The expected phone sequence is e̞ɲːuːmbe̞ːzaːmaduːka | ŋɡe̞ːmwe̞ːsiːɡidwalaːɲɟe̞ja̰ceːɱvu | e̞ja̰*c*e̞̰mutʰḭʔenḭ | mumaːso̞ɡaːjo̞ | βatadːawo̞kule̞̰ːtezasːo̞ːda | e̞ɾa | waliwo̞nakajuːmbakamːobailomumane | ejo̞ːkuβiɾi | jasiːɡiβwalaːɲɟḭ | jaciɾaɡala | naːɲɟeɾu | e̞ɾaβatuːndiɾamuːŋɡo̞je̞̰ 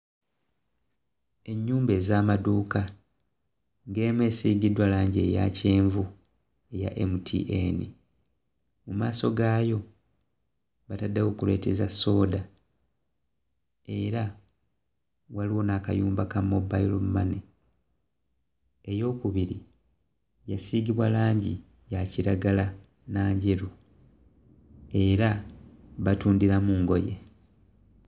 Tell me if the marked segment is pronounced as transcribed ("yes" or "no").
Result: no